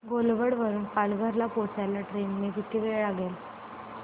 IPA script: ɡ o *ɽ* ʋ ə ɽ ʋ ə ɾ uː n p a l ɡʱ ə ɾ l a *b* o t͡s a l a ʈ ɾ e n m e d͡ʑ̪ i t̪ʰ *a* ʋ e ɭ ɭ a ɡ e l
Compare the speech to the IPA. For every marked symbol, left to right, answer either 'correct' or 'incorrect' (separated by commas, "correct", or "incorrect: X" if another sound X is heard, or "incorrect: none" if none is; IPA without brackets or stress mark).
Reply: incorrect: l, incorrect: p, incorrect: i